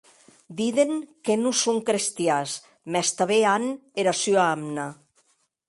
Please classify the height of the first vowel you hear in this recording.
high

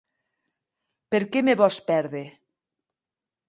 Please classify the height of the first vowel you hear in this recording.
mid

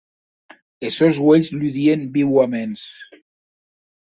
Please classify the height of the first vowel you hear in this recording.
mid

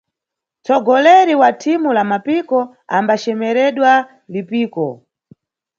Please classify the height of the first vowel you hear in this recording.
mid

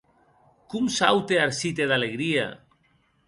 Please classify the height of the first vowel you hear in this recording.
high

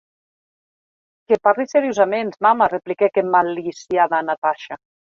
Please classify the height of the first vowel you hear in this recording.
mid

